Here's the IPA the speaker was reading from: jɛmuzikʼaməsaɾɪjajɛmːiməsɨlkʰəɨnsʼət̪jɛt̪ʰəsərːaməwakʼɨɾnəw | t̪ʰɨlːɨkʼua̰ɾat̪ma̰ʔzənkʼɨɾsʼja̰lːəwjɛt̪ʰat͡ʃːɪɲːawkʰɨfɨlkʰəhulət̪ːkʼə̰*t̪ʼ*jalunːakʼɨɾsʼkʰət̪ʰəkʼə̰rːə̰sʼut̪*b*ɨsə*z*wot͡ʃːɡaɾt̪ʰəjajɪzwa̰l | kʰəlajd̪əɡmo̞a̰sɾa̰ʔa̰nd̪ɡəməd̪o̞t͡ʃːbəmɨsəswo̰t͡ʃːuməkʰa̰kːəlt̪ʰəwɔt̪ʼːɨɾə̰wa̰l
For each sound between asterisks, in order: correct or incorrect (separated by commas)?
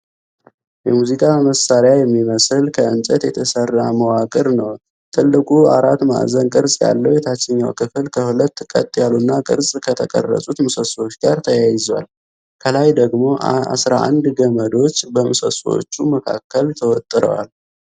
correct, incorrect, incorrect